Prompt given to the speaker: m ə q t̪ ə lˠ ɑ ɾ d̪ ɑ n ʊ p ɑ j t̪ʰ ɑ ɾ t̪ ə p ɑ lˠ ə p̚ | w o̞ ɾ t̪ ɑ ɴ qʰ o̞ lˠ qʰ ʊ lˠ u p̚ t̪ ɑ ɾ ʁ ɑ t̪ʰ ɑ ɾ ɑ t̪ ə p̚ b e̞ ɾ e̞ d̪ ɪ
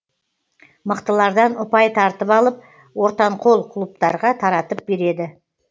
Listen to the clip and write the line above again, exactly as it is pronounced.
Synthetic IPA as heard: m ə q t̪ ə lˠ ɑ ɾ d̪ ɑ n ʊ p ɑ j t̪ʰ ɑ ɾ t̪ ə p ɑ lˠ ə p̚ | w o̞ ɾ t̪ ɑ ɴ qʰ o̞ lˠ qʰ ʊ lˠ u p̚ t̪ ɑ ɾ ʁ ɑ t̪ʰ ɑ ɾ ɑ t̪ ə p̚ b e̞ ɾ e̞ d̪ ɪ